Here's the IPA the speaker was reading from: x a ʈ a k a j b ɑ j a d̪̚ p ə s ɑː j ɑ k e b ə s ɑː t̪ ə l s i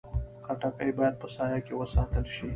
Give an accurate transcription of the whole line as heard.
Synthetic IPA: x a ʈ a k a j b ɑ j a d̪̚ p ə s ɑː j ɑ k e w ə s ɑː t̪ ə l ʃ i